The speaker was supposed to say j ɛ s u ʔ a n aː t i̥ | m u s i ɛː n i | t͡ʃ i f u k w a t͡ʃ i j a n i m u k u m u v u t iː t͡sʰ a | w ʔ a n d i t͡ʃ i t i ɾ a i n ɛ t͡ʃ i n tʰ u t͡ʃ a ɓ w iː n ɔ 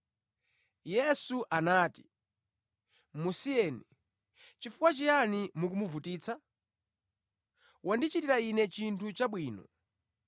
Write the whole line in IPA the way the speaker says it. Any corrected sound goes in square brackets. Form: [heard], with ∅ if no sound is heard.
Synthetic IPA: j ɛ s u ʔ a n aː t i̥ | m u s i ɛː n i | t͡ʃ i f u k w a t͡ʃ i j a n i m u k u m u v u t iː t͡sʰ a | w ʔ a n d i t͡ʃ i t i ɾ a i n ɛ t͡ʃ i n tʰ u t͡ʃ a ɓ w iː n ɔ